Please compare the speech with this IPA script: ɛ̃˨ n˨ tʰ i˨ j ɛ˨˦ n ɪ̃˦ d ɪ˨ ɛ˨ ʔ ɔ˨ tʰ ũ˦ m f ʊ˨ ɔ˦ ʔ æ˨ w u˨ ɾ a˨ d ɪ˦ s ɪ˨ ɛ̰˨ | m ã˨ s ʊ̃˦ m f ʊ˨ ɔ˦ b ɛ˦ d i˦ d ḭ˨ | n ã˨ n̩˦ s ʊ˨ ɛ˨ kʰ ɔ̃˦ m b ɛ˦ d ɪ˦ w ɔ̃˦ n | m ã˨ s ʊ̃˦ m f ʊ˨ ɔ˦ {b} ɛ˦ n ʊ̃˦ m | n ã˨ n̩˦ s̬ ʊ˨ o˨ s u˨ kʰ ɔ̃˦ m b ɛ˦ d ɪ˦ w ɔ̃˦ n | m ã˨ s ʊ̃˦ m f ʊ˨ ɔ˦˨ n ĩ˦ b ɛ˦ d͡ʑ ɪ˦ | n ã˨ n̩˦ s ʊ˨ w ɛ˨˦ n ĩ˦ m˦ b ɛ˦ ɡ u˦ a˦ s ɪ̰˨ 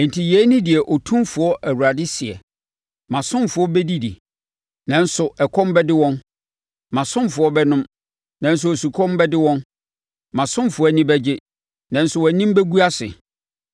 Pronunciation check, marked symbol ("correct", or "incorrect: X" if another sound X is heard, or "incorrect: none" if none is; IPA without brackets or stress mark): correct